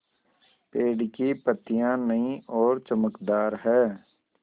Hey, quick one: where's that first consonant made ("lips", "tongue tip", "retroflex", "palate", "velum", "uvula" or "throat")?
lips